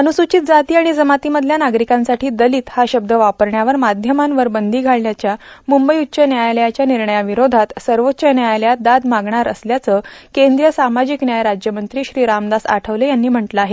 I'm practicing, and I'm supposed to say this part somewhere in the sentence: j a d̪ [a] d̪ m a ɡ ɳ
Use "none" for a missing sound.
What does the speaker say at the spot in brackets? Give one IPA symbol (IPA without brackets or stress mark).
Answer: a